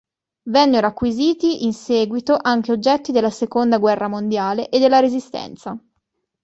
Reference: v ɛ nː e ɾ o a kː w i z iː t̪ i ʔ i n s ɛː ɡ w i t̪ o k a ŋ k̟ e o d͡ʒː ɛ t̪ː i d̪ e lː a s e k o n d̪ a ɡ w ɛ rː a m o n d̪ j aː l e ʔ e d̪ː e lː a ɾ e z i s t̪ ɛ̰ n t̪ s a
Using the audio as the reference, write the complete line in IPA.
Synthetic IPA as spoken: v ɛ nː e ɾ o a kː w i z iː t̪ i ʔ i n s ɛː ɡ w i t̪ o ʔ a ŋ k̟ e o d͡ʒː ɛ t̪ː i d̪ e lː a s e k o n d̪ a ɡ w ɛ rː a m o n d̪ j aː l e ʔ e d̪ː e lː a ɾ e z i s t̪ ɛ̰ n t̪ s a